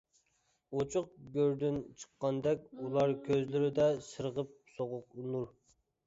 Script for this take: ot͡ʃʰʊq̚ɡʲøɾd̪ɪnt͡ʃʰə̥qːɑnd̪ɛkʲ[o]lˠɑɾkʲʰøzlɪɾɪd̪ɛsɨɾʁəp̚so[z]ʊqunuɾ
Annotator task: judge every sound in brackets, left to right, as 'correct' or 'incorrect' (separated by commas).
incorrect, incorrect